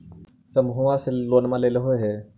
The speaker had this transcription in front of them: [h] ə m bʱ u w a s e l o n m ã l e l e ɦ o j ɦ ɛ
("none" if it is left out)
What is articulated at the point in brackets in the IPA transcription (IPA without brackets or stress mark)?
s